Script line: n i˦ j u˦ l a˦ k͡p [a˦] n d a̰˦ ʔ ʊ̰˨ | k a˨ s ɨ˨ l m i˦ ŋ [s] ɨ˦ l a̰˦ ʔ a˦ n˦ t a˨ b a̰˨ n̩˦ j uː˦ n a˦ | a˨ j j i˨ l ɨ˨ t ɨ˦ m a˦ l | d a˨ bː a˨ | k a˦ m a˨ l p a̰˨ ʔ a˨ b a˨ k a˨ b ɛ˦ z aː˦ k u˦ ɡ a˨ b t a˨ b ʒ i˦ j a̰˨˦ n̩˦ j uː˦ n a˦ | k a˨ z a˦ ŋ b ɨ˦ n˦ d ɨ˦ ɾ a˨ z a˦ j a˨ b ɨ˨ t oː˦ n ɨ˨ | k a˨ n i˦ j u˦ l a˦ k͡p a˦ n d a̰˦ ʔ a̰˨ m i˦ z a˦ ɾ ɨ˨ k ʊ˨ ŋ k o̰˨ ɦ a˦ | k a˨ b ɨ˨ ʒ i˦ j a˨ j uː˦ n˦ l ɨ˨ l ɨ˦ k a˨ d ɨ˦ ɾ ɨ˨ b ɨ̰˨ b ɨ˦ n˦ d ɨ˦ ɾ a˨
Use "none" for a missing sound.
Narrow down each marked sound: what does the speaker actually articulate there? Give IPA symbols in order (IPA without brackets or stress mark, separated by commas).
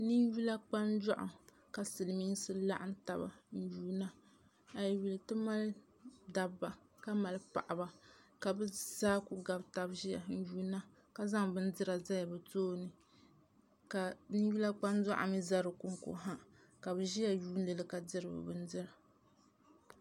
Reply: a˦, s